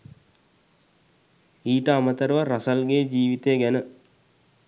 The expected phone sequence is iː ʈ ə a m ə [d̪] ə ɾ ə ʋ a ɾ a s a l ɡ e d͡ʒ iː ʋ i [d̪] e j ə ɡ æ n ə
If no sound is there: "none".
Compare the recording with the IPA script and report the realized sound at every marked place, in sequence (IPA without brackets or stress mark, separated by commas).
t̪, t̪